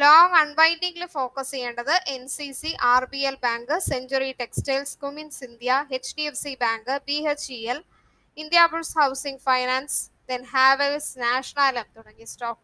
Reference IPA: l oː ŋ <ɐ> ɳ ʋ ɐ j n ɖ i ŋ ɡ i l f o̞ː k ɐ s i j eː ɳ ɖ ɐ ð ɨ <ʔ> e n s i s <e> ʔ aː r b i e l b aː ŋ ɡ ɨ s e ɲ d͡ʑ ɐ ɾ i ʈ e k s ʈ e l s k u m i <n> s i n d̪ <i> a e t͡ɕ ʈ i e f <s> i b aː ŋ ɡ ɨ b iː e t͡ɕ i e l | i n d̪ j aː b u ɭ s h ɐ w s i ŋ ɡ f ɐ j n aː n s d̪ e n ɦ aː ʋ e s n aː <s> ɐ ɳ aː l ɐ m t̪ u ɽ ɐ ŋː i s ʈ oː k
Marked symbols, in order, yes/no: yes, yes, no, yes, no, yes, no

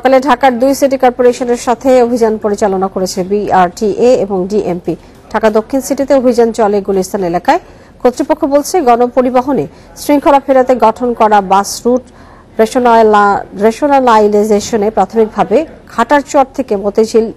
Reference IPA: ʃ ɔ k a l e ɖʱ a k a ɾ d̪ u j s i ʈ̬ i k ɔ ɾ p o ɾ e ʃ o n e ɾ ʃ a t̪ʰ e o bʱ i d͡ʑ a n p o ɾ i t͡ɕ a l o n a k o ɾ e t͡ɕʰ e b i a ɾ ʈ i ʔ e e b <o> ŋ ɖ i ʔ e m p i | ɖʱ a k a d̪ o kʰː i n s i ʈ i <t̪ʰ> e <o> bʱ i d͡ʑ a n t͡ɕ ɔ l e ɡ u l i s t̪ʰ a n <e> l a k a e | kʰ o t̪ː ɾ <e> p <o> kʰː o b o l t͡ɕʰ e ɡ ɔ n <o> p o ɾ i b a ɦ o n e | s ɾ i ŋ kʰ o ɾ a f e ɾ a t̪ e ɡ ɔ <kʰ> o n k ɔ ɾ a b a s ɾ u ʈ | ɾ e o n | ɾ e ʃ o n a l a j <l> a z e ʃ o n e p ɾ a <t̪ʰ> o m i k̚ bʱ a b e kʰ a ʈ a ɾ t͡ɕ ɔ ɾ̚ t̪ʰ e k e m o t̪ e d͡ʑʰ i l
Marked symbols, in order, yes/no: yes, no, yes, yes, no, yes, yes, no, yes, yes

